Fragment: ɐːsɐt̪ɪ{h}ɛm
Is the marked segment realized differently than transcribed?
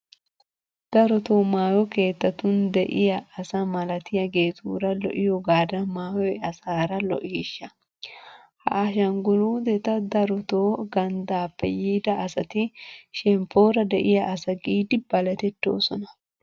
yes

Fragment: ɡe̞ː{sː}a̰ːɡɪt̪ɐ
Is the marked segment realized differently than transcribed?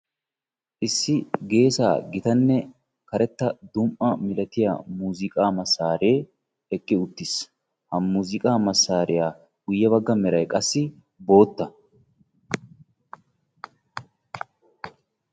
yes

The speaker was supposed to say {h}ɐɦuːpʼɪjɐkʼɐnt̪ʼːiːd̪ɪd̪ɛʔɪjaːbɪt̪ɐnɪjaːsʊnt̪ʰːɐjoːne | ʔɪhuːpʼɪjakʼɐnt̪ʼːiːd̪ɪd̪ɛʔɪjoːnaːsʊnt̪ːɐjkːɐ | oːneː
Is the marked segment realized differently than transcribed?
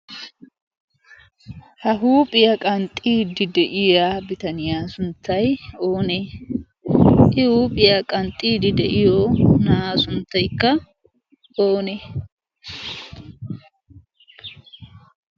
no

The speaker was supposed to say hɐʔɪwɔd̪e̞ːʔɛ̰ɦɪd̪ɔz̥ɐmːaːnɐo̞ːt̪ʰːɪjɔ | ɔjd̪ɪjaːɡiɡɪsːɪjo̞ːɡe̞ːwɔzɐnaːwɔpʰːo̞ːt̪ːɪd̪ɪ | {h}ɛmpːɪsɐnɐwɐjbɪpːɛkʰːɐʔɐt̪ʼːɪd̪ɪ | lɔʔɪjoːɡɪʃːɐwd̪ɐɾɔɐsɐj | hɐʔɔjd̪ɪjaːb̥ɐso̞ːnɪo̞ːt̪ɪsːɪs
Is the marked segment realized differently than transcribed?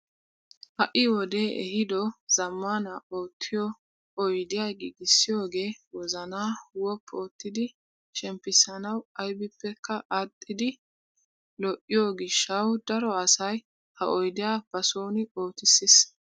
yes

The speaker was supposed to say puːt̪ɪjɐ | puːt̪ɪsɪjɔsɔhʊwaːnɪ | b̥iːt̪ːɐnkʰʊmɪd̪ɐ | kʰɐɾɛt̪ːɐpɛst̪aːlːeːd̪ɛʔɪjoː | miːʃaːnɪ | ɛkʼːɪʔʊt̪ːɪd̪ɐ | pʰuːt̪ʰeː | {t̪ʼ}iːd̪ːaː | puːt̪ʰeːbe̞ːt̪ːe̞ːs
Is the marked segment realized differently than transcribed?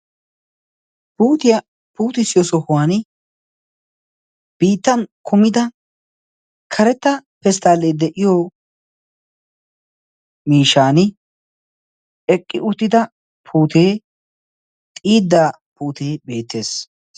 no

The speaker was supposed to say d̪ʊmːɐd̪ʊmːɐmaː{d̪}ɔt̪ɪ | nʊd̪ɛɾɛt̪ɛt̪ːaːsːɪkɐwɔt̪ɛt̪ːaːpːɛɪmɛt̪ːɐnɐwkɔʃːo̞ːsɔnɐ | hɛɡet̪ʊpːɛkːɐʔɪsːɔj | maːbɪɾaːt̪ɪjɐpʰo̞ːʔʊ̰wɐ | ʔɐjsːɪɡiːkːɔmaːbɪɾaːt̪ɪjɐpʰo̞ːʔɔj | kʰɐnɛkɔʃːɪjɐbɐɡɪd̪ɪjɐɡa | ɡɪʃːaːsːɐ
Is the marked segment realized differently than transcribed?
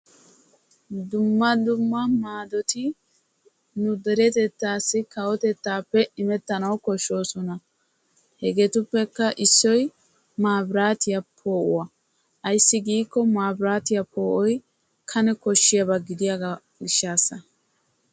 no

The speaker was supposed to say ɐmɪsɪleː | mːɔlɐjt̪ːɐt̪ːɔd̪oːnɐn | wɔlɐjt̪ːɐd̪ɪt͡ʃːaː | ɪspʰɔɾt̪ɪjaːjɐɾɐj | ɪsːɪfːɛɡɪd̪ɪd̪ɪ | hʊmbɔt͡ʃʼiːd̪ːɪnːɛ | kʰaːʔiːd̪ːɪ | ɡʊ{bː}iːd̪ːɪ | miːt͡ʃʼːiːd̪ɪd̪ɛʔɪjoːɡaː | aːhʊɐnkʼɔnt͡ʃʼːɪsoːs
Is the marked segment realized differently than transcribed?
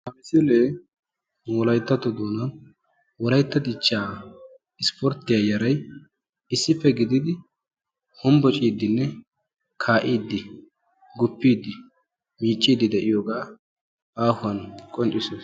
yes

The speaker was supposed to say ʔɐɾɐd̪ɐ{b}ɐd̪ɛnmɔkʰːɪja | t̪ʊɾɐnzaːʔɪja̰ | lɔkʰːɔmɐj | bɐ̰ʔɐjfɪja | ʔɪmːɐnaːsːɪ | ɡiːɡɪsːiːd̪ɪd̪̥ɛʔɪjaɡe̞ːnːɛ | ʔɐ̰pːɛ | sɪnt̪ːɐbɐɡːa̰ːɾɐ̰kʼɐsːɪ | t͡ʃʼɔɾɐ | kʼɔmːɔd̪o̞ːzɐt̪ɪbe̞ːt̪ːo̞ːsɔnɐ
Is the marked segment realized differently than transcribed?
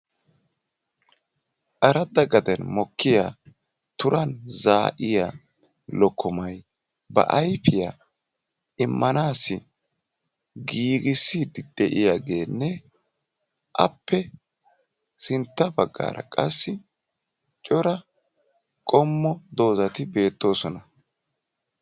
yes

